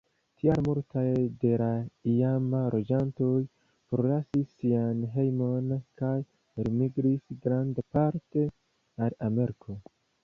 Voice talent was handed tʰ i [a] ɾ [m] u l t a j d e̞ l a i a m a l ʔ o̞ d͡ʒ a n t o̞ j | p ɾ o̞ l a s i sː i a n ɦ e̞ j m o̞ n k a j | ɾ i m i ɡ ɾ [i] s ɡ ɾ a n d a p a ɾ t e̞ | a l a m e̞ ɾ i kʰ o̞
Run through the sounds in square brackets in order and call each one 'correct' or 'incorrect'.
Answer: correct, correct, correct

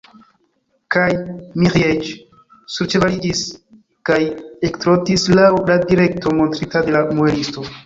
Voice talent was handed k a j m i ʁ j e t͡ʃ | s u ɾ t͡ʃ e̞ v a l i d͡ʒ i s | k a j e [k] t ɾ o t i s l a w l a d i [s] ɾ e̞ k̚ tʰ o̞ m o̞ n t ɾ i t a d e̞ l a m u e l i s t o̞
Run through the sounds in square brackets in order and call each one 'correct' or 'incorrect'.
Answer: correct, incorrect: none

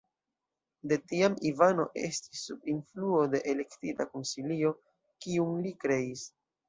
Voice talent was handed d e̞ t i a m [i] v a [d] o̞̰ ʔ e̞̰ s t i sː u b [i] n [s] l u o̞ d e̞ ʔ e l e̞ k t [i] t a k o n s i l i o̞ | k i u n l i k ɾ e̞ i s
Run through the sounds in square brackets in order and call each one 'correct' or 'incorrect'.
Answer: correct, incorrect: n, correct, incorrect: f, correct

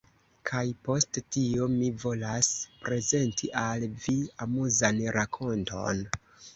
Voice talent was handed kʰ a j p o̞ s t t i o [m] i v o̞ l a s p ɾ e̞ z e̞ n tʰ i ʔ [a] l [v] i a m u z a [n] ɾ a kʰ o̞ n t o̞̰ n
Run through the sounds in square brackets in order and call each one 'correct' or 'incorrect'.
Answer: correct, correct, correct, correct

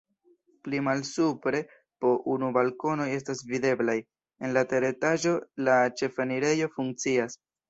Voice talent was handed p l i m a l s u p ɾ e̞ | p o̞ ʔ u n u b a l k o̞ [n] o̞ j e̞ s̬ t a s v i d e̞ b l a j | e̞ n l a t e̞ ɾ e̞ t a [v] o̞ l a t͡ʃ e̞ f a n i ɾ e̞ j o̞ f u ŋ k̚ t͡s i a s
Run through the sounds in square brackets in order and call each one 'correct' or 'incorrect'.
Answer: correct, incorrect: ʒ

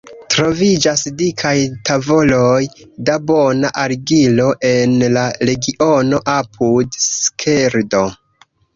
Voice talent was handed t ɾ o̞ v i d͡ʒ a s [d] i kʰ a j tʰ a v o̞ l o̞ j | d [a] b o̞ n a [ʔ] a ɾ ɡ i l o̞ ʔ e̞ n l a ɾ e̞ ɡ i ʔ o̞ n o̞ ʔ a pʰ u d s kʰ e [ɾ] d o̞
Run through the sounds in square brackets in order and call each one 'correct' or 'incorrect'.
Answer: correct, correct, correct, correct

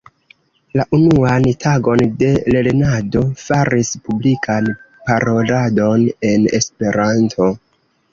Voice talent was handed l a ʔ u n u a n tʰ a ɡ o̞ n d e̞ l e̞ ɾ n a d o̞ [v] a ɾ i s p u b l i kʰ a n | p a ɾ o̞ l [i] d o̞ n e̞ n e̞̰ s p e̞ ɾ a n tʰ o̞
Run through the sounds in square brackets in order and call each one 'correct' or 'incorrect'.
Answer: incorrect: f, incorrect: a

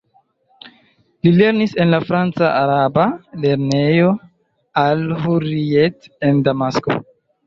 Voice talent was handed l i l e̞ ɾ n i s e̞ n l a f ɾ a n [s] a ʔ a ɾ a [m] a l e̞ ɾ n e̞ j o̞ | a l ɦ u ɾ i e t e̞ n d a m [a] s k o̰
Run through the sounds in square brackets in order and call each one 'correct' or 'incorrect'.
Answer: incorrect: t͡s, incorrect: b, correct

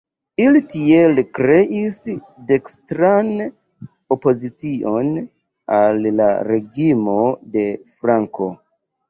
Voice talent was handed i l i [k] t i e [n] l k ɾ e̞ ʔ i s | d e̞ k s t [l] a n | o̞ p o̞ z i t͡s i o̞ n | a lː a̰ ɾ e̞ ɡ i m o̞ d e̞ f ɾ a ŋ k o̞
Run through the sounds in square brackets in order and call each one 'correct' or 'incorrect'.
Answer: incorrect: none, incorrect: none, incorrect: ɾ

